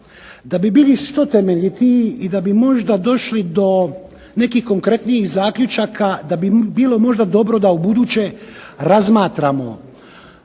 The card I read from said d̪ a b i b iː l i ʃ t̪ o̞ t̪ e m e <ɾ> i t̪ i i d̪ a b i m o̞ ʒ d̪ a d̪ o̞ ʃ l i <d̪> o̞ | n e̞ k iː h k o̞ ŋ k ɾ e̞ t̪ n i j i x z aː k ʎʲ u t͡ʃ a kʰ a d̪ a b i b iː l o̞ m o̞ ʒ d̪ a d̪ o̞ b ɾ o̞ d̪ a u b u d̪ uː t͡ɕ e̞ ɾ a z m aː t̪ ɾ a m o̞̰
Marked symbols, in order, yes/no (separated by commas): no, yes